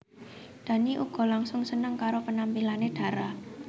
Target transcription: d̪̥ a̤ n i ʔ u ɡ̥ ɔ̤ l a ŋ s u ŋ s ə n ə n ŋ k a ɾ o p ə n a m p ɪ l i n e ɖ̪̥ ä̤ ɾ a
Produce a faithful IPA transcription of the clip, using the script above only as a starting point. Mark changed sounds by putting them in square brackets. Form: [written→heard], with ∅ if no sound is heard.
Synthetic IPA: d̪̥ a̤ n i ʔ u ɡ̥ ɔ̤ l a ŋ s [u→ʊ] ŋ s ə n ə [n→∅] ŋ k a ɾ o p ə n a m p [ɪ→i] l [i→a] n e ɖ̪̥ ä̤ ɾ a